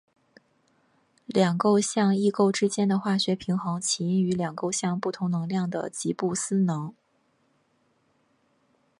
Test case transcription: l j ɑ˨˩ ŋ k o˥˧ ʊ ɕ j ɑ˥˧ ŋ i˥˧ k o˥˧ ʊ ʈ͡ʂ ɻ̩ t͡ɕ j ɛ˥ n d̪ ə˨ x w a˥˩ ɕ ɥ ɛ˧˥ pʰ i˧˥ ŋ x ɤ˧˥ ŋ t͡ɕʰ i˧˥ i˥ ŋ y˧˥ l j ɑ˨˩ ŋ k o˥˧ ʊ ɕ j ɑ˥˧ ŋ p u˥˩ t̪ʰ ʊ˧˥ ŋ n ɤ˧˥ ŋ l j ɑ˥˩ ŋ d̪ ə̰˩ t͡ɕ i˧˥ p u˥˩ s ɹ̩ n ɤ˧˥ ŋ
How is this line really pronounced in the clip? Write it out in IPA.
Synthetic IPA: l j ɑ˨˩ ŋ k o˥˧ ʊ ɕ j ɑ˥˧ ŋ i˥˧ k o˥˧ ʊ ʈ͡ʂ ɻ̩ t͡ɕ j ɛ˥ n d̪ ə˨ x w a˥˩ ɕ ɥ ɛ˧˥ pʰ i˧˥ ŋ x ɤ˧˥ ŋ t͡ɕʰ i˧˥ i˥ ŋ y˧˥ l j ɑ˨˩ ŋ k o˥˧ ʊ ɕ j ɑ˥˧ ŋ p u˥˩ t̪ʰ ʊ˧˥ ŋ n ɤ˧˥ ŋ l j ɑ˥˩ ŋ d̪ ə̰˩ t͡ɕ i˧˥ p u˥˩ s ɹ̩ n ɤ˧˥ ŋ